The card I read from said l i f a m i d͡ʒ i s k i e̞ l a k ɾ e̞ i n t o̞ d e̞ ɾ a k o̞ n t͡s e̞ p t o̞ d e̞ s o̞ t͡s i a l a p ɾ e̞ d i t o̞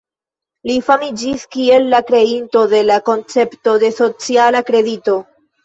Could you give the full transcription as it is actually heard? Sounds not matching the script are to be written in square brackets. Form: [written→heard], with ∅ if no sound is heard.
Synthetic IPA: l i f a m i d͡ʒ i s k i e̞ [l→lː] a k ɾ e̞ i n t o̞ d e̞ [ɾ→l] a k o̞ n t͡s e̞ p t o̞ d e̞ s o̞ t͡s i a l a [p→k] ɾ e̞ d i t o̞